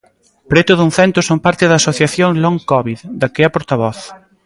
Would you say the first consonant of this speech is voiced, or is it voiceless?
voiceless